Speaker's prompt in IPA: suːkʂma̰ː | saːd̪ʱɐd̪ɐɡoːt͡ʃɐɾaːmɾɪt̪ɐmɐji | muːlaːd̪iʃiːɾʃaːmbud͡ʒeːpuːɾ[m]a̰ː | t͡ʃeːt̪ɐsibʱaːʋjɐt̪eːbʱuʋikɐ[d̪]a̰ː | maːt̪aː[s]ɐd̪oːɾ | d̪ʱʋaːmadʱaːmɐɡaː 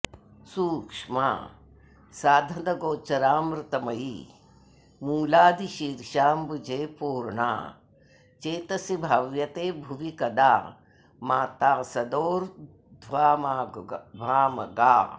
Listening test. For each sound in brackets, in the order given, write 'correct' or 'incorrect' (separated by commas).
incorrect, correct, correct